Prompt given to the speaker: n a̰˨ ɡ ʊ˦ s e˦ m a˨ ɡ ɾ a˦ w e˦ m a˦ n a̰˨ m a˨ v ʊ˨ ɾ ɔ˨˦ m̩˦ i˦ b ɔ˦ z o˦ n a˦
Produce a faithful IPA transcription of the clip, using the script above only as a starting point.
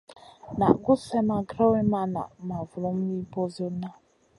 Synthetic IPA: n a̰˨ ɡ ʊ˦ s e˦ m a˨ ɡ ɾ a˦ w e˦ m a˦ n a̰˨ m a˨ v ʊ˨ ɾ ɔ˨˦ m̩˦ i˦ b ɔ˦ z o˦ n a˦